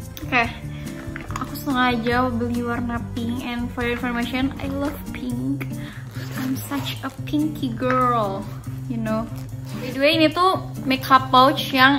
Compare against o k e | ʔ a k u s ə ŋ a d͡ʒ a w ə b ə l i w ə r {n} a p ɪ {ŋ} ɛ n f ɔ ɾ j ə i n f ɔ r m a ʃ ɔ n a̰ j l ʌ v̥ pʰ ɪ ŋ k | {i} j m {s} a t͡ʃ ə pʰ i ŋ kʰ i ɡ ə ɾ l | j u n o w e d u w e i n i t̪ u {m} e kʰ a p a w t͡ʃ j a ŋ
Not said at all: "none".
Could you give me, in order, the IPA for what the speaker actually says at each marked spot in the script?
n, ŋ, a, s, m

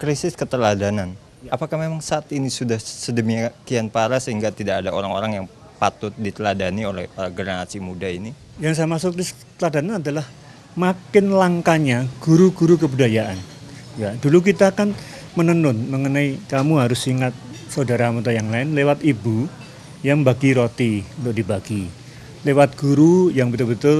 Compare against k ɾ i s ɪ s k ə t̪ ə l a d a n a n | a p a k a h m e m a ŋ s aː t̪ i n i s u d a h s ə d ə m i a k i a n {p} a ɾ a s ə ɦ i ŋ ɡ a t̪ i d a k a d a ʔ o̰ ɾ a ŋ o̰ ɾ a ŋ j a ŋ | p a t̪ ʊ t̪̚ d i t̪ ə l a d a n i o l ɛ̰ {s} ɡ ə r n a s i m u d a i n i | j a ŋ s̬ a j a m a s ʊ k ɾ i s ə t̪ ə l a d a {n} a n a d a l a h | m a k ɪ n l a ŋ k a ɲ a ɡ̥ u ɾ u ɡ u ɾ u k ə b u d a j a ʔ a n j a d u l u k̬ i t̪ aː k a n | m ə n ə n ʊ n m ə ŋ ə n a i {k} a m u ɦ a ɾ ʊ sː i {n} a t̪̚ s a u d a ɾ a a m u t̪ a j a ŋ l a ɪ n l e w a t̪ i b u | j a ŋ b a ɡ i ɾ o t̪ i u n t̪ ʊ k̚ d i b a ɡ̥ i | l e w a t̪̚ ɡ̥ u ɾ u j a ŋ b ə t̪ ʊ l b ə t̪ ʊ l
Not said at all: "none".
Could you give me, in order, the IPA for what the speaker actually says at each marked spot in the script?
p, h, n, k, ŋ

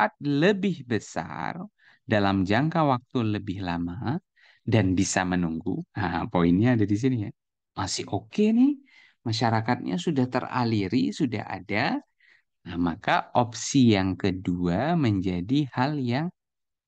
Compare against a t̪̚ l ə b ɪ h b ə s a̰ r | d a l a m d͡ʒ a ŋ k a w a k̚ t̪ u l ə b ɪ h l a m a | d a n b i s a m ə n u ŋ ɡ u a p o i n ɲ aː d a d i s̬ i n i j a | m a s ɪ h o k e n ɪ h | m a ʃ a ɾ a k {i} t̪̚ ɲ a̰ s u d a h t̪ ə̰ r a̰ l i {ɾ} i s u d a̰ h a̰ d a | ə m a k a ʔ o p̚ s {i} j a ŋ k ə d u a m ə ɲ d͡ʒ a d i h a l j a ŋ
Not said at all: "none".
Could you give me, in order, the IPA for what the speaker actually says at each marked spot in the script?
a, ɾ, i

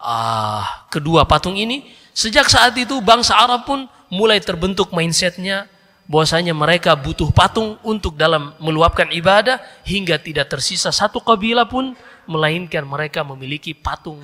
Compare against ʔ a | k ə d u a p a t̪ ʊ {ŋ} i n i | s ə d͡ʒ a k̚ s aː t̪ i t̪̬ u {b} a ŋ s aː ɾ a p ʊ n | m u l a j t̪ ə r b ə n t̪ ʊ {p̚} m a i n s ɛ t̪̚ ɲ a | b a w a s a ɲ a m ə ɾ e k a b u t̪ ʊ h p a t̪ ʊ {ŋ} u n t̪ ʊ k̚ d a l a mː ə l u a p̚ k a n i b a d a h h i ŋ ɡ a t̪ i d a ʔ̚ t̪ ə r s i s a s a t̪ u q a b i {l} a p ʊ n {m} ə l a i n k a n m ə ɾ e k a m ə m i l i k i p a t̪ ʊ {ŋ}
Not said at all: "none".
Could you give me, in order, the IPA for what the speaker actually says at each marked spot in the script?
ŋ, b, k̚, ŋ, l, m, ŋ

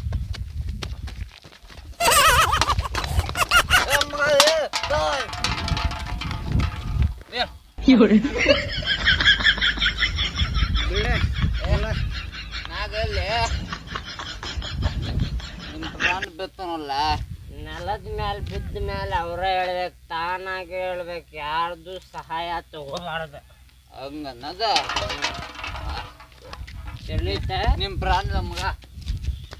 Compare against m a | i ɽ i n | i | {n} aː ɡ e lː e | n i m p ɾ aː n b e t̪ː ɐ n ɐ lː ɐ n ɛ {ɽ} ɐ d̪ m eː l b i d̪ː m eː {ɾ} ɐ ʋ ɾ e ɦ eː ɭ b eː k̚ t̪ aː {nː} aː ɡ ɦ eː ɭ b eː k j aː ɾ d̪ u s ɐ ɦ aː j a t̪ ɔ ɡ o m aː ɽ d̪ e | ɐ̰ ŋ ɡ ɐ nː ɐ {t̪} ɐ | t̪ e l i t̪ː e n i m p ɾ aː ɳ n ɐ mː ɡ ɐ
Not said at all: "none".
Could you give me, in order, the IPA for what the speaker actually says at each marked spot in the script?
n, l, l, n, d̪

